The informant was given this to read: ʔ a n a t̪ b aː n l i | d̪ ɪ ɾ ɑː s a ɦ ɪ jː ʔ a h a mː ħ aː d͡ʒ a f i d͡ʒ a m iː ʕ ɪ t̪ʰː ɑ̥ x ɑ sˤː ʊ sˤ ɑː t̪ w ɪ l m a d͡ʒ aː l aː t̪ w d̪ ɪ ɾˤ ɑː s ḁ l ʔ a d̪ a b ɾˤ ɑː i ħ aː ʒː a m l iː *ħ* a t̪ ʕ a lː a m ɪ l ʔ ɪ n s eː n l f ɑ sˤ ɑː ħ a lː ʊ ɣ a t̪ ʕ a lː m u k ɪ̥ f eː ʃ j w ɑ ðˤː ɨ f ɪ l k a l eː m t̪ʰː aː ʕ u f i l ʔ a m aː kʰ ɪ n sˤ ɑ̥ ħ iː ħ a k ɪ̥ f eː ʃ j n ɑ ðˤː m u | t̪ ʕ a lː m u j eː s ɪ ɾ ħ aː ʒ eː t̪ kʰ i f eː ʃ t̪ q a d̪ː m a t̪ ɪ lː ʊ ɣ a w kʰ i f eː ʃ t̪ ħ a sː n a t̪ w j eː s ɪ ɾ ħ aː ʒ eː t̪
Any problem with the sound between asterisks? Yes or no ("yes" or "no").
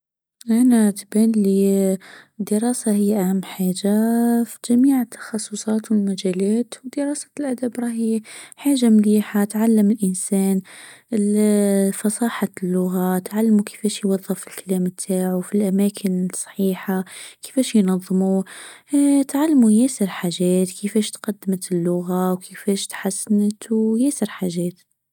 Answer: no